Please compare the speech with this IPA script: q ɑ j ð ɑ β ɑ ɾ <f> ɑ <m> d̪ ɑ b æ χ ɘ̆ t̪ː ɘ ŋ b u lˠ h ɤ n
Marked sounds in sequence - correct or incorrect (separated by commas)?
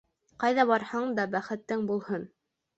incorrect, incorrect